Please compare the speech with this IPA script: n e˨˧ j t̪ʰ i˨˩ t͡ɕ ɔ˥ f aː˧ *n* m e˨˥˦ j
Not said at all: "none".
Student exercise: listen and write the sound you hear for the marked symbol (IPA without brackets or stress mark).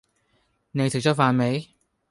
n